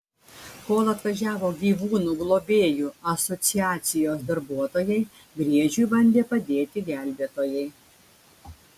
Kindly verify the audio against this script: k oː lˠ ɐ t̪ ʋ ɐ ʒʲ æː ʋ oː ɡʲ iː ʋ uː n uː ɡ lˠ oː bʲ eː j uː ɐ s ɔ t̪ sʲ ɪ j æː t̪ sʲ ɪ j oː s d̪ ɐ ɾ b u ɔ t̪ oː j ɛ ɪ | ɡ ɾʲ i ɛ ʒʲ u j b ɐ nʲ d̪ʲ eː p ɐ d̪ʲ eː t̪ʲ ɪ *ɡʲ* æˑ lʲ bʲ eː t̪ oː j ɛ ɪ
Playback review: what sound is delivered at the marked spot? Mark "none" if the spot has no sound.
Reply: ɡʲ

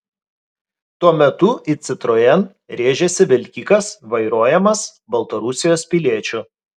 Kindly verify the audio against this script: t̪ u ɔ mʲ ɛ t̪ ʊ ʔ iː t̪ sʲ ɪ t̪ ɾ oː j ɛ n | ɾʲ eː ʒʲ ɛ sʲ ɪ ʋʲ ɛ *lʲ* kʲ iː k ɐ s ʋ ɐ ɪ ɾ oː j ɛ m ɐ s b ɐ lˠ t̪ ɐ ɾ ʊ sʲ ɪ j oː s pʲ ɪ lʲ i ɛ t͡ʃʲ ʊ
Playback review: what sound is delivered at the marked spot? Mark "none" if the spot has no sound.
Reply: lʲ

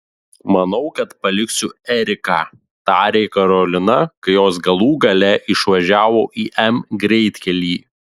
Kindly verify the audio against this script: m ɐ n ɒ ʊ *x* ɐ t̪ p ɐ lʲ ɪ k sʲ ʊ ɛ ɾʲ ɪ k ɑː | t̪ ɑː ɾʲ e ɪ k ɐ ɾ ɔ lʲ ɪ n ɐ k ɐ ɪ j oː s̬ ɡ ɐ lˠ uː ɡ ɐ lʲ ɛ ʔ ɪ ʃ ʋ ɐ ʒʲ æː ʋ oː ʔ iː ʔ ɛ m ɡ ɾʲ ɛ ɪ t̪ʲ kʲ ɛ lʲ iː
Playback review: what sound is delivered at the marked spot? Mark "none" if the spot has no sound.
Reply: k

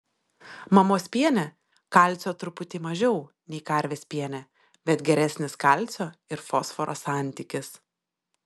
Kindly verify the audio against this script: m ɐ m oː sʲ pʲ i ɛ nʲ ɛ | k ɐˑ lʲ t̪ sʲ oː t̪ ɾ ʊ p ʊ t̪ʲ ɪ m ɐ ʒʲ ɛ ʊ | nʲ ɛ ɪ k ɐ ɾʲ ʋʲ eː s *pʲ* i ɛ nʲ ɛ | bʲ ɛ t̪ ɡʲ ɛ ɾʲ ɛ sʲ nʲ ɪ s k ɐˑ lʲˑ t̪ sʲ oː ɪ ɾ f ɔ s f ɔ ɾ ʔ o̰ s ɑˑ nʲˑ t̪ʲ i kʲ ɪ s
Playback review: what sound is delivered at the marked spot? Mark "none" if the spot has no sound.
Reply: pʲ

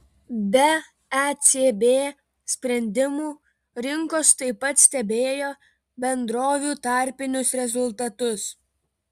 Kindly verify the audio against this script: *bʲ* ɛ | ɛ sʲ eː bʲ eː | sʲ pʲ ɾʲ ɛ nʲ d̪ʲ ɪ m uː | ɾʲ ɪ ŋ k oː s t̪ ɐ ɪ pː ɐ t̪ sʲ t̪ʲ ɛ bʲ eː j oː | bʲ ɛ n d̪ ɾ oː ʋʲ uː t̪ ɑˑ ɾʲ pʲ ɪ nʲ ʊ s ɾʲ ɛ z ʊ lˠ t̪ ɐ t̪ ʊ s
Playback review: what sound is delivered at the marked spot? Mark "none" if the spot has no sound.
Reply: bʲ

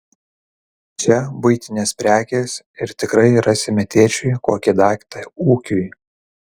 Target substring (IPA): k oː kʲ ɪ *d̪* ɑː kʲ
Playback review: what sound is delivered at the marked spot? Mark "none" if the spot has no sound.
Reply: d̪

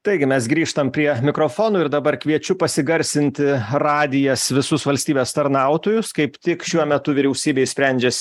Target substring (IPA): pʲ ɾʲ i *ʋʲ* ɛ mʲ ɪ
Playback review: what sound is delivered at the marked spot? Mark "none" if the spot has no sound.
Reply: none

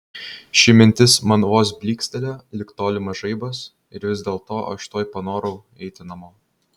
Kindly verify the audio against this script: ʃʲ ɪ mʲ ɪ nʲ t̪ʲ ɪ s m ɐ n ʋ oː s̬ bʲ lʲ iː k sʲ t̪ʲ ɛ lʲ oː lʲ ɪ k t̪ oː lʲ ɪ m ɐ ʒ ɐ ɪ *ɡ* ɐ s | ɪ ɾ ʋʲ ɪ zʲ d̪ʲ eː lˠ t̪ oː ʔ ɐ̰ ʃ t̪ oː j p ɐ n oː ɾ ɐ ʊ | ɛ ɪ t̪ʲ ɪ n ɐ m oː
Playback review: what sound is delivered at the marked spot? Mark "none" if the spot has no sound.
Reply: b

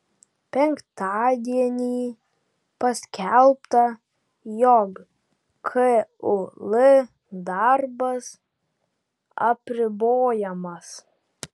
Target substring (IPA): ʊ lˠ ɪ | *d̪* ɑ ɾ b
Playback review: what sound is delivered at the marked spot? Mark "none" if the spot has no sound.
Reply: d̪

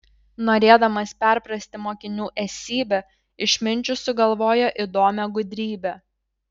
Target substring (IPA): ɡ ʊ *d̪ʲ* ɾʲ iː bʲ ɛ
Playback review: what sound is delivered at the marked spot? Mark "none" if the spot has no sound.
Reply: d̪ʲ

